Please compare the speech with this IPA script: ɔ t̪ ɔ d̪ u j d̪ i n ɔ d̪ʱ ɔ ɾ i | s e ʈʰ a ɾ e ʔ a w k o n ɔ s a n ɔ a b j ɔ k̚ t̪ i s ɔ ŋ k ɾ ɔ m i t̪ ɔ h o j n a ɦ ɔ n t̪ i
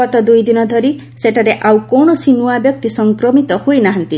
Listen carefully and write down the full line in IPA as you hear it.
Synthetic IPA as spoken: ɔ t̪ ɔ d̪ u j d̪ i n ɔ d̪ʱ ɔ ɾ i | s e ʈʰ a ɾ e ʔ a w k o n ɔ s i n u a b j ɔ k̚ t̪ i s ɔ ŋ k ɾ ɔ m i t̪ ɔ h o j n a ɦ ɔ n t̪ i